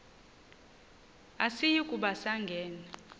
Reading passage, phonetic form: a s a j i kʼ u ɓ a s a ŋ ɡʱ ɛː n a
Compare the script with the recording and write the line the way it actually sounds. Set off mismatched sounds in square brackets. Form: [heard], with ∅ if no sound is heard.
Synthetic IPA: a s [i] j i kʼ u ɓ a s a ŋ ɡʱ ɛː n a